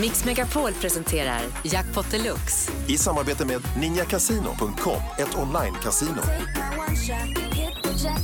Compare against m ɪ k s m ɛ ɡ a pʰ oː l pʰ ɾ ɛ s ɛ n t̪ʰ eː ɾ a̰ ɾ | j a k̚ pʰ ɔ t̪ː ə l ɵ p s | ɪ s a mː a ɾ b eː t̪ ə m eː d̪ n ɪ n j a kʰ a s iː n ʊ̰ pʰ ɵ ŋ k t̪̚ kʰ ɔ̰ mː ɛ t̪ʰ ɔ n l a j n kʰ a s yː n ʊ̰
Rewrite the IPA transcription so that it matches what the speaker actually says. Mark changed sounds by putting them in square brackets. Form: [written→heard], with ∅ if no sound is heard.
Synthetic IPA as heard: m ɪ k s m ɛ ɡ a pʰ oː l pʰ ɾ ɛ s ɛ n t̪ʰ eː ɾ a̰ ɾ | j a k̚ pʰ ɔ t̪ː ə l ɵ [p→k] s | ɪ s a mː a ɾ b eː t̪ ə m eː d̪ n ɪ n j a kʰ a s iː n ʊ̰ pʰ ɵ ŋ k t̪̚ kʰ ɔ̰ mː ɛ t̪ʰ ɔ n l a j n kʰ a s [yː→iː] n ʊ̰